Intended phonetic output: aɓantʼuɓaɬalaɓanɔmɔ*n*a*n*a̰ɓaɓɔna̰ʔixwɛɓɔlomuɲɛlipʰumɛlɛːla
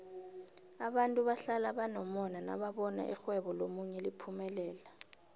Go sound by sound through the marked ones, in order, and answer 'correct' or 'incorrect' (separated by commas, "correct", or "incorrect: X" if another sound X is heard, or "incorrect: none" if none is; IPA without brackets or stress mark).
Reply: correct, correct